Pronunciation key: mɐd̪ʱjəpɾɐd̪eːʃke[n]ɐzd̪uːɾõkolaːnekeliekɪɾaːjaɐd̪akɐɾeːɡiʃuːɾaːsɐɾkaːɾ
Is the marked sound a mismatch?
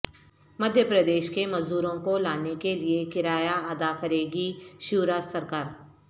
yes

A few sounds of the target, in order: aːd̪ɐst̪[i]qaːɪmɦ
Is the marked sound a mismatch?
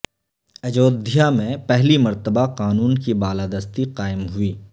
no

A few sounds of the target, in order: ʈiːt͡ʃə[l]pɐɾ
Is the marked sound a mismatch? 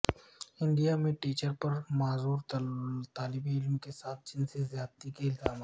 yes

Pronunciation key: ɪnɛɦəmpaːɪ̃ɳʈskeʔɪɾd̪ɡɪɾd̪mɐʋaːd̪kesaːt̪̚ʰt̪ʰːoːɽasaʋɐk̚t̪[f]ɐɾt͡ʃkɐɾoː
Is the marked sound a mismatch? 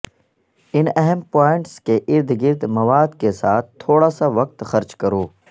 yes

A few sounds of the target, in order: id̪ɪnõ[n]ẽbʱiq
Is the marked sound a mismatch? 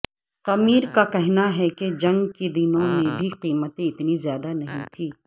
yes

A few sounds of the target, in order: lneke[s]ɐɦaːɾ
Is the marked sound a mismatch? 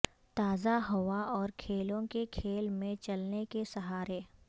no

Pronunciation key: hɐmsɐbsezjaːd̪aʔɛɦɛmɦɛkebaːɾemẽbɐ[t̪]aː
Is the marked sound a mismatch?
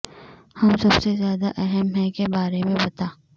no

